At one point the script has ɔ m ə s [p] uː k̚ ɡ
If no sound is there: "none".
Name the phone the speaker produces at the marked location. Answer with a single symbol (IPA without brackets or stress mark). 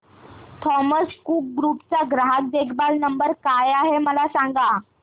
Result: k